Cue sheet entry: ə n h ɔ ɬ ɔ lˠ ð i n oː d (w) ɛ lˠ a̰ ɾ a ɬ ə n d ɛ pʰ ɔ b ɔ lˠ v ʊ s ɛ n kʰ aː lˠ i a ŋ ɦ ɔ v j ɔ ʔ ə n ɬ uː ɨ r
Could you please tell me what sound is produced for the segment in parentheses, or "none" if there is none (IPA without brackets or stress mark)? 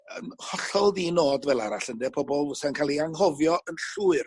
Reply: v